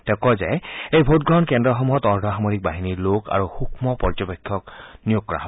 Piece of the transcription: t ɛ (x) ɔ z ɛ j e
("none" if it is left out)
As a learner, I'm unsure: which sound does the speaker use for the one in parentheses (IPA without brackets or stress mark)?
k